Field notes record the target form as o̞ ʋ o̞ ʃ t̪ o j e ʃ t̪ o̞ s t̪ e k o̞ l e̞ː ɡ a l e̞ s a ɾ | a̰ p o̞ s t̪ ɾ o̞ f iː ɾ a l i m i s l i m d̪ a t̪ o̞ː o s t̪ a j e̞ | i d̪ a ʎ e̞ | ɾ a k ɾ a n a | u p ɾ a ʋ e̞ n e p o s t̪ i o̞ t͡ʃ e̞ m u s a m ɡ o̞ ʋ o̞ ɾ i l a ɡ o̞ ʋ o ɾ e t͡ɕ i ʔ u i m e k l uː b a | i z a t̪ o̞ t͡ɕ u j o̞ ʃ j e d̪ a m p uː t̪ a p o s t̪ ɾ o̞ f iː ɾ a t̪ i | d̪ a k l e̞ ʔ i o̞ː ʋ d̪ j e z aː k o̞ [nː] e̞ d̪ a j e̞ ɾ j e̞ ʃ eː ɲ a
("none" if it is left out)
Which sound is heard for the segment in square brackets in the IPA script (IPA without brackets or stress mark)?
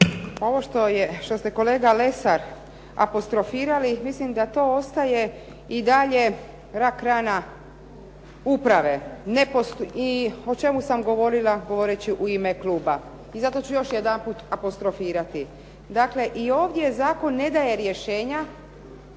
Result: nː